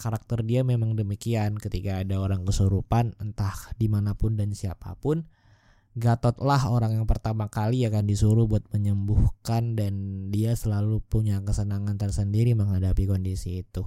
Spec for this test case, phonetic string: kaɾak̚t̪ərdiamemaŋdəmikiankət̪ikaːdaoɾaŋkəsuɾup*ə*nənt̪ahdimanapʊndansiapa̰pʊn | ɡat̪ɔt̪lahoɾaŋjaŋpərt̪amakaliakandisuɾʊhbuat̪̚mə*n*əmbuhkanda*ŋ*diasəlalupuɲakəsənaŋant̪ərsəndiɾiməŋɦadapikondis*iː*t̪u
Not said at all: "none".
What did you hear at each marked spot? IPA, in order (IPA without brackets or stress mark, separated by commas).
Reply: a, ɲ, n, iː